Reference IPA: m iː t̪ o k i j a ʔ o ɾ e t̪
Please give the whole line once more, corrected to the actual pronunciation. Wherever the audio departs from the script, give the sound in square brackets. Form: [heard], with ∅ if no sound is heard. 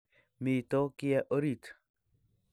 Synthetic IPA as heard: m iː t̪ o k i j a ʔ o ɾ [i] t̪